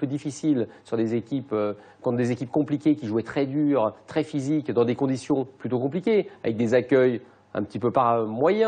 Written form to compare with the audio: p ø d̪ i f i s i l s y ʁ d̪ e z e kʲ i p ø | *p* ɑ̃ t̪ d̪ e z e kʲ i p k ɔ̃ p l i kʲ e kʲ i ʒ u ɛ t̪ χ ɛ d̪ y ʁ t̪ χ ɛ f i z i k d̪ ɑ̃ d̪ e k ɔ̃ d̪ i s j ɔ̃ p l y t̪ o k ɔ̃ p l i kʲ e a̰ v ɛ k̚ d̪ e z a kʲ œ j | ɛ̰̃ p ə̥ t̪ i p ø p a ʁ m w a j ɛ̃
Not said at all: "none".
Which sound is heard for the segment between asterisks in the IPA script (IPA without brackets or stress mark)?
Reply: k